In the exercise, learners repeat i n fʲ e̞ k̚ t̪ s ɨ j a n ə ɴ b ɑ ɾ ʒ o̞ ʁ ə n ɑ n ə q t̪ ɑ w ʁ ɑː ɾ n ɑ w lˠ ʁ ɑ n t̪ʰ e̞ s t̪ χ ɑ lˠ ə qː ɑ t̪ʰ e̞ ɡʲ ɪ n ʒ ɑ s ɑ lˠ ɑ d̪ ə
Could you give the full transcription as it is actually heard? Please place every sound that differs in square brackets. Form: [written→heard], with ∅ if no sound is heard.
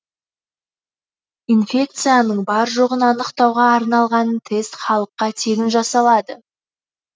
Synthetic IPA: i n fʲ e̞ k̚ t̪ s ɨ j a n ə ɴ b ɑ ɾ ʒ o̞ ʁ ə n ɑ n ə q t̪ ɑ w ʁ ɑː ɾ n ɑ [w→∅] lˠ ʁ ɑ n t̪ʰ e̞ s t̪ χ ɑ lˠ ə qː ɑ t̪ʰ e̞ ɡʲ ɪ n ʒ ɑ s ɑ lˠ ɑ d̪ ə